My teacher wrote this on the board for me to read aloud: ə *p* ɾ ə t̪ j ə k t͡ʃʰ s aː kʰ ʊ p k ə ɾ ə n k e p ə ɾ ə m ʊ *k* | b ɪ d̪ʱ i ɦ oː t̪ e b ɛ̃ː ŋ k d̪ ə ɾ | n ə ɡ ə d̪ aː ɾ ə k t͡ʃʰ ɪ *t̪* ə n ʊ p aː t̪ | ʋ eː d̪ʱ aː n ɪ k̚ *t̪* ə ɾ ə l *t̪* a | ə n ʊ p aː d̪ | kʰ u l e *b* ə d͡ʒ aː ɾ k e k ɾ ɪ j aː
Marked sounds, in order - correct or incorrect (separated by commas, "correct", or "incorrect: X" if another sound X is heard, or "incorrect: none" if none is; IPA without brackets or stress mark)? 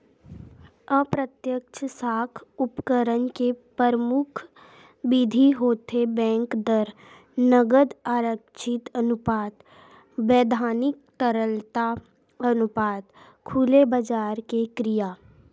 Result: correct, incorrect: kʰ, correct, correct, correct, correct